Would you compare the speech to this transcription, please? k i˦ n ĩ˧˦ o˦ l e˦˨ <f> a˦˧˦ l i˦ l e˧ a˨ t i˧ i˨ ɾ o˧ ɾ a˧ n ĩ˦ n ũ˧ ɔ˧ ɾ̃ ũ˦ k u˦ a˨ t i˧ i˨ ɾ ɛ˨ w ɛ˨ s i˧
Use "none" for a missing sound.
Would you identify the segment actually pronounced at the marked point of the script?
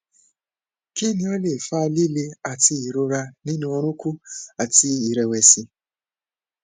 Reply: f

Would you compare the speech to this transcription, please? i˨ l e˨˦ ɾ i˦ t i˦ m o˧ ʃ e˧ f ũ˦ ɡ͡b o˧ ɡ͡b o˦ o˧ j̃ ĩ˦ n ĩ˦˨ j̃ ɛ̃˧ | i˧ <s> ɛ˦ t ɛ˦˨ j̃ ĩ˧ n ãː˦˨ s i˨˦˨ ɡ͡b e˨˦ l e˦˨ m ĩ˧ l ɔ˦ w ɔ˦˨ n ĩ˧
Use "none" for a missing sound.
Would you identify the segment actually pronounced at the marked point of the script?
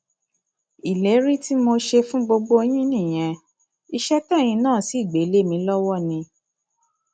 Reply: ʃ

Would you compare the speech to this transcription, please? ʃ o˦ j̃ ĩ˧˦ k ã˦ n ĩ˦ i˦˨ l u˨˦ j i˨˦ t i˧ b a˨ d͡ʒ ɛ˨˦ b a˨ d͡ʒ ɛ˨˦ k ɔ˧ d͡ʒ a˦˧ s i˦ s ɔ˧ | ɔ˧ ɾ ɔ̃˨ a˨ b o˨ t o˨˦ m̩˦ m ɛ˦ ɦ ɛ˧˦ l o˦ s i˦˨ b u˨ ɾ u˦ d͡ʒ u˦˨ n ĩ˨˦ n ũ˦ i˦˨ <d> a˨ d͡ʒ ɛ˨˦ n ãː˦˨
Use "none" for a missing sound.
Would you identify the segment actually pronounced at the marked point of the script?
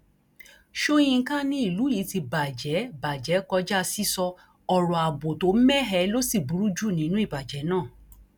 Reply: b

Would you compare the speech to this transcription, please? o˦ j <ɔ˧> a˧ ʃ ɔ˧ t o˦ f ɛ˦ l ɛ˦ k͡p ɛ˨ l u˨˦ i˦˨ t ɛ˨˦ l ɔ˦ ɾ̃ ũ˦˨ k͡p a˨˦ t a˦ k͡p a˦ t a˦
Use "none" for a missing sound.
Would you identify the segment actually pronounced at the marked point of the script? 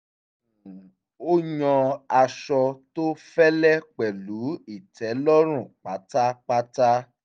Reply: ɔ̃˧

